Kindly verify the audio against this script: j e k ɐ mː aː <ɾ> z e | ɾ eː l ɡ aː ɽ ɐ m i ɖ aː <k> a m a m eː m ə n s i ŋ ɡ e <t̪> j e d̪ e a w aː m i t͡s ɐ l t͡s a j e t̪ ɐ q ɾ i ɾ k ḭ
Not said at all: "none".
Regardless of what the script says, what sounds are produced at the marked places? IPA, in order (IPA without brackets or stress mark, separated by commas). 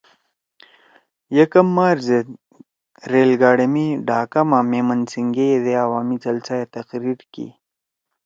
ɾ, k, none